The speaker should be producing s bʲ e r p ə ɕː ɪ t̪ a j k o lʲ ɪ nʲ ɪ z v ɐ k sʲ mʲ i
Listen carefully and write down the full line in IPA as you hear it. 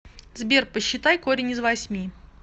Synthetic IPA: z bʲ e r p ə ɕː ɪ t̪ a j k o ɾʲ ɪ nʲ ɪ z v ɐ sʲ mʲ i